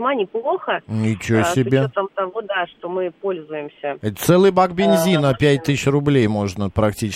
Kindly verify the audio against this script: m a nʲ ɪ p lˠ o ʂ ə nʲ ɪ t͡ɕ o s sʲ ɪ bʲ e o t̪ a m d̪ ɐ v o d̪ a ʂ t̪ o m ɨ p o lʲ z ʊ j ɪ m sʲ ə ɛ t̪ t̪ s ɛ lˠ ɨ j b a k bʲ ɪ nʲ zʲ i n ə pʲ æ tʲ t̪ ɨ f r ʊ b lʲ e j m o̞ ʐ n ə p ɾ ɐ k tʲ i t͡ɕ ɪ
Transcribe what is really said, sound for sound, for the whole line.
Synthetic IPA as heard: m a nʲ ɪ p lˠ o x ə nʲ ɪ t͡ɕ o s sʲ ɪ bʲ e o t̪ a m t̪ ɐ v o d̪ a ʂ t̪ o m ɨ p o lʲ z ʊ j ɪ m sʲ ə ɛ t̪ t̪ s ɛ lˠ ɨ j b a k bʲ ɪ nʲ zʲ i n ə pʲ æ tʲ t̪ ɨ ɕ r ʊ b lʲ e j m o̞ ʐ n ə p ɾ ɐ k tʲ i t͡ɕ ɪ